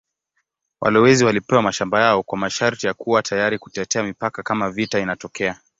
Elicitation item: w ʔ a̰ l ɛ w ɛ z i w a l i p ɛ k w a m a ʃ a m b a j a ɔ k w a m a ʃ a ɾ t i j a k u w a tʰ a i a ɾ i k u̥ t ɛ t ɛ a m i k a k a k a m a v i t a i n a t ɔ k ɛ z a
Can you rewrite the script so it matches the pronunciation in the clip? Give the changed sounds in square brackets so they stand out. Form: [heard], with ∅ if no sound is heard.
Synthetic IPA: w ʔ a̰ l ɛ w ɛ z i w a l i p ɛ [∅] w a m a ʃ a m b a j a ɔ k w a m a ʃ a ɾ t i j a k u w a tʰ a [j] a ɾ i k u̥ t ɛ t ɛ a m i [p] a k a k a m a v i t a i n a t ɔ k ɛ [∅] a